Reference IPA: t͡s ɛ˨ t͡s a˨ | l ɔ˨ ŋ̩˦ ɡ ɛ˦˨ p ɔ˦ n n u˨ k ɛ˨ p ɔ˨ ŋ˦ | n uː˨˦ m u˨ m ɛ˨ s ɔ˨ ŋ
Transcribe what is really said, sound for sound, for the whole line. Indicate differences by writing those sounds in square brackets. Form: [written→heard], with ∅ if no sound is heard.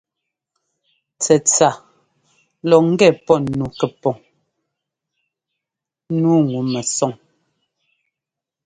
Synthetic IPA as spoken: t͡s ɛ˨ t͡s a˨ | l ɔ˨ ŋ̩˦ ɡ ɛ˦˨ p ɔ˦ n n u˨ k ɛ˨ p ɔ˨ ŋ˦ | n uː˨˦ [m→ŋ] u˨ m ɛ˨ s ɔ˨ ŋ

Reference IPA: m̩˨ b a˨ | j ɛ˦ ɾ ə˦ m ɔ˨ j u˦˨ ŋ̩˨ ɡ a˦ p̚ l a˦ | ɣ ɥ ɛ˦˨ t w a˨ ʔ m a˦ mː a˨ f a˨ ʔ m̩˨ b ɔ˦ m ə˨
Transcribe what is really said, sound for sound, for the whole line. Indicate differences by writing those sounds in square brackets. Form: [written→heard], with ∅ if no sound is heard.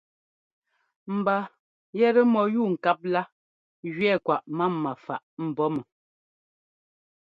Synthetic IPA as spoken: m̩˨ b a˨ | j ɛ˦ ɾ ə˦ m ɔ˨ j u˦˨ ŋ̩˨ [ɡ→k] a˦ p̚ l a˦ | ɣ ɥ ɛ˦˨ [t→k] w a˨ ʔ m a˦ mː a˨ f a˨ ʔ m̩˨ b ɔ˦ m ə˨

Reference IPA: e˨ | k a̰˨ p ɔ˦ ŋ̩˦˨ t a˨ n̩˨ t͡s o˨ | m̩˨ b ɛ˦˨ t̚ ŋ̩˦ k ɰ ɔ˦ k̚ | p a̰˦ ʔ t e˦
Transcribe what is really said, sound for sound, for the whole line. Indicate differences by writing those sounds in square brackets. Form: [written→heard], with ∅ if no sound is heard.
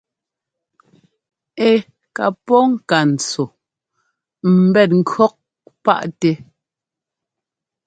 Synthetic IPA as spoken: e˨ | k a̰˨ p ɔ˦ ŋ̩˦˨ [t→k] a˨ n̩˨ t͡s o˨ | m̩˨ b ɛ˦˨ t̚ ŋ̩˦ k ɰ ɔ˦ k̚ | p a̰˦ ʔ t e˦

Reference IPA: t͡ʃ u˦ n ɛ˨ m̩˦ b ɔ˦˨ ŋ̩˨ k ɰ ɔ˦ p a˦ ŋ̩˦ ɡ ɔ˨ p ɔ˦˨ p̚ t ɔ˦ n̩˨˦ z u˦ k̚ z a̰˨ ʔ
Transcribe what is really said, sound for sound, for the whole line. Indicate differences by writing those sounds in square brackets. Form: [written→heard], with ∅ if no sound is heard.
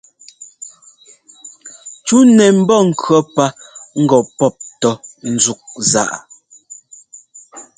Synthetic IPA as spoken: t͡ʃ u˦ n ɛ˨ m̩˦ b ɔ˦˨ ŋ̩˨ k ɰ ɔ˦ p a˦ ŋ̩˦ ɡ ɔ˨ p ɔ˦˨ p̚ t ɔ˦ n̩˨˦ z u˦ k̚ z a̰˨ ʔ

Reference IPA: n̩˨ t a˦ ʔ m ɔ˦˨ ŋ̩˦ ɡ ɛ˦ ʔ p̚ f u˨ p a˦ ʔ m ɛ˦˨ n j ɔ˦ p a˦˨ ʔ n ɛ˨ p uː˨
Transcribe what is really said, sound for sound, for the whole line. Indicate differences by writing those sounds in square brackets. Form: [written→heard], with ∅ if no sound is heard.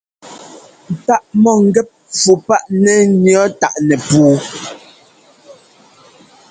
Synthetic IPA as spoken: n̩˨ t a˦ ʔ m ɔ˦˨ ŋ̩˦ ɡ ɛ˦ [ʔ→∅] p̚ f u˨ p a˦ ʔ [m→n] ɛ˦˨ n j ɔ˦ [p→t] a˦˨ ʔ n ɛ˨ p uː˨

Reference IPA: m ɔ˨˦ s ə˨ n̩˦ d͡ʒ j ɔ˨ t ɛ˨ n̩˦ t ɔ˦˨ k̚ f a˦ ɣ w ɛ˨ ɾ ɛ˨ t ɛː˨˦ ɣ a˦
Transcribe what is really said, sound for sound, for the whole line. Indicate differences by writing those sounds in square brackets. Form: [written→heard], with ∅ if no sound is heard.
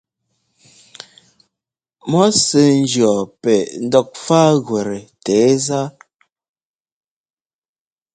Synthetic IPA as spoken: m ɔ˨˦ s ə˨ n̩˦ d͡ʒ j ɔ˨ [t→p] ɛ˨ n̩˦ [t→d] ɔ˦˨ k̚ f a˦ ɣ w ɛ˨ ɾ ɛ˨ t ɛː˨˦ [ɣ→z] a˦

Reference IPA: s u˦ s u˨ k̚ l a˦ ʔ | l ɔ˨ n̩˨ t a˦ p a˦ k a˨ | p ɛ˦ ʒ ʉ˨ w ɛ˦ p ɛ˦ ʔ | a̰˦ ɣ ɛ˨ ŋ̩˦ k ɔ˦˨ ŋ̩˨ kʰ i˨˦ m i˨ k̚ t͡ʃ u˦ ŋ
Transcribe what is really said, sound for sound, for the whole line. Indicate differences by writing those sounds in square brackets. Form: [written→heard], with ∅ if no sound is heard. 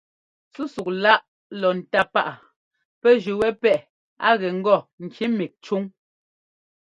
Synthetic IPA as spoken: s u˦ s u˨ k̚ l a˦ ʔ | l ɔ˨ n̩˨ t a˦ p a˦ [k→ʔ] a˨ | p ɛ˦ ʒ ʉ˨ w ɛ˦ p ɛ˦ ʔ | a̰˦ ɣ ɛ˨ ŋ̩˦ [k→ɡ] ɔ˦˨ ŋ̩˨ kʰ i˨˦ m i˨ k̚ t͡ʃ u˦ ŋ

